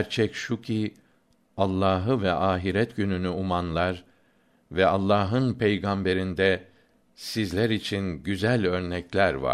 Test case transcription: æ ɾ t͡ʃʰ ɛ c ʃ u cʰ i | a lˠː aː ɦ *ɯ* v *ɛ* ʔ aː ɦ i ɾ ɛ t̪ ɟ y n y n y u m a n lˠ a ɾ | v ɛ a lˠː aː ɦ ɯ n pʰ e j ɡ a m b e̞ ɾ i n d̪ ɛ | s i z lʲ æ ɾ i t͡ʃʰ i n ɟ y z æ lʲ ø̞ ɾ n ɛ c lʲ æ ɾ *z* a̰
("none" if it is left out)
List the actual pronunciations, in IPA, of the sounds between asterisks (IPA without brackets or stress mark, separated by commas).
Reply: ɯ, ɛ, v